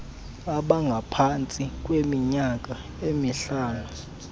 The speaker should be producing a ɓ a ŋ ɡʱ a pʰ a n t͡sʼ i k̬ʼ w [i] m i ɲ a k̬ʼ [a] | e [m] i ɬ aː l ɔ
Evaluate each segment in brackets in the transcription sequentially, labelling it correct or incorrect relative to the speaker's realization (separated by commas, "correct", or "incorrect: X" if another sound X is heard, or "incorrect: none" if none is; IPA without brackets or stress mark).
incorrect: e, correct, correct